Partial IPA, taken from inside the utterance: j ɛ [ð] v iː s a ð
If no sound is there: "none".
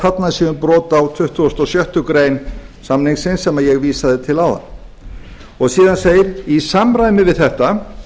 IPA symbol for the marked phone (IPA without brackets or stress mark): ɣ